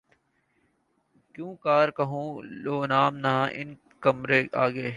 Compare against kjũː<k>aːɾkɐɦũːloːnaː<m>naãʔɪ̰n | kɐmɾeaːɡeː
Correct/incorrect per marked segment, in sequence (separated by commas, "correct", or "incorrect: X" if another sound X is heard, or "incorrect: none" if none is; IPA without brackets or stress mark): correct, correct